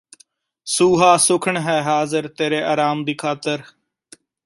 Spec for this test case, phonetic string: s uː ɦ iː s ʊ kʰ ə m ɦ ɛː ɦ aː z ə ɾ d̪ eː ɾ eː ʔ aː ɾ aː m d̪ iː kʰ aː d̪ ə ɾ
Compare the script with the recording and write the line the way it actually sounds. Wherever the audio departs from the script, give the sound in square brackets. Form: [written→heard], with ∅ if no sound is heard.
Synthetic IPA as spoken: s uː ɦ [iː→aː] s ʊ kʰ ə [m→ɳ] ɦ ɛː ɦ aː z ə ɾ [d̪→t̪] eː ɾ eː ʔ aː ɾ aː m d̪ iː kʰ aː [d̪→t̪] ə ɾ